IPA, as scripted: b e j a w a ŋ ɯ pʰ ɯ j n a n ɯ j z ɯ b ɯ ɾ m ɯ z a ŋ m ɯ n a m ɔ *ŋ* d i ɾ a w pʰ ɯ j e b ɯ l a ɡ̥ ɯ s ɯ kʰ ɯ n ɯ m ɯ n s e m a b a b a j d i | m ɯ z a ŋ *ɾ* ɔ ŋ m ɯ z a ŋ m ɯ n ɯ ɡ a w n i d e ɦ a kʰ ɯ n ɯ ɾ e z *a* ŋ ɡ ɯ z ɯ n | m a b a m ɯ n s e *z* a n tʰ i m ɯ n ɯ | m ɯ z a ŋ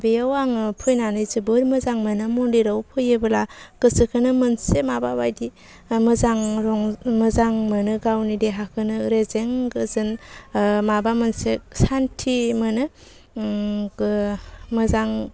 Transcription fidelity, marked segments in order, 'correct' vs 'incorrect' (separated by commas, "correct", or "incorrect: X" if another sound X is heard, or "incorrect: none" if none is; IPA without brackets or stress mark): incorrect: n, correct, incorrect: e, incorrect: s